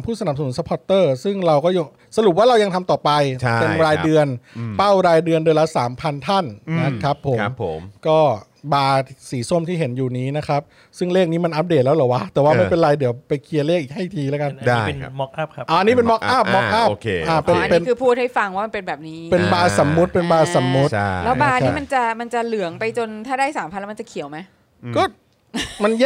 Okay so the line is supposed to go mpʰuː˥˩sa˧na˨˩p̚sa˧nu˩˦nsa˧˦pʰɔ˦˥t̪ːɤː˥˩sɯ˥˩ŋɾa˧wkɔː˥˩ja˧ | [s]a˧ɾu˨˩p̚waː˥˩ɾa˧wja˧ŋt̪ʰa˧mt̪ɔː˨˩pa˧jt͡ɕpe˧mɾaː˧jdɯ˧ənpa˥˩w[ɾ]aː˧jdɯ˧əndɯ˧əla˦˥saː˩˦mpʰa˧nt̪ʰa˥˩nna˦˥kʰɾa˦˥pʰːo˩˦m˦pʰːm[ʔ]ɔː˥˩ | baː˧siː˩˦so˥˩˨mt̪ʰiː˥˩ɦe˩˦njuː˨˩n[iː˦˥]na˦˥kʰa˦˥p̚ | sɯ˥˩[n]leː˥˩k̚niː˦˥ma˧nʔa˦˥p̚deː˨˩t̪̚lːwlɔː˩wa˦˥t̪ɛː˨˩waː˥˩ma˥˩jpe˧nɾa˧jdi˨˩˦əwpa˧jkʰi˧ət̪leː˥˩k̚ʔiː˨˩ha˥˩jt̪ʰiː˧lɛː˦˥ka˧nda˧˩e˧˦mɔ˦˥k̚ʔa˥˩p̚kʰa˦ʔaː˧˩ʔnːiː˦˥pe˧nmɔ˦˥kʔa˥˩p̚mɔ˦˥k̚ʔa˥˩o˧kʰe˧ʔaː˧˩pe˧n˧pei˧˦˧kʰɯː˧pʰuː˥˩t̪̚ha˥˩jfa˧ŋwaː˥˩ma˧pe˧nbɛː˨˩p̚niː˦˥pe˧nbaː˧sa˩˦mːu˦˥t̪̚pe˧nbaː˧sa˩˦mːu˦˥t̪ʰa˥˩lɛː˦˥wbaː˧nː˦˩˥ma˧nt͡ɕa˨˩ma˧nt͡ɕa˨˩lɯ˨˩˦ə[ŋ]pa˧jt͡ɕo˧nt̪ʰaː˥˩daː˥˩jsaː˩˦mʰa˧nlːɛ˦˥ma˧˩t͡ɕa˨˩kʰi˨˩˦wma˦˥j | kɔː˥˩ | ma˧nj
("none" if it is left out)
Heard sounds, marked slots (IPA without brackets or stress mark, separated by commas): s, ɾ, k, iː˦˥, ŋ, ŋ